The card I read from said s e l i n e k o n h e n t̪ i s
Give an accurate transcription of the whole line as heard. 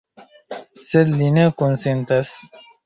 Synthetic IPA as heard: s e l i n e k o n s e n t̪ a s